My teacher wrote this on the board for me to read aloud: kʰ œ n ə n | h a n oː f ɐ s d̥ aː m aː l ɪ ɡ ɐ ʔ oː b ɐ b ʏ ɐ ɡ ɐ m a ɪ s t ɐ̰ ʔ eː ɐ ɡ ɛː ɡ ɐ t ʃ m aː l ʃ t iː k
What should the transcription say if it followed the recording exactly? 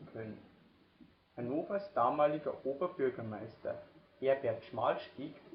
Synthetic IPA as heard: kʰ œ n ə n | h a n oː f ɐ s d̥ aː m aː l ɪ ɡ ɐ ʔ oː b ɐ b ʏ ɐ ɡ ɐ m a ɪ s t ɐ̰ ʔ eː ɐ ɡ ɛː ɐ t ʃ m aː l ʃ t iː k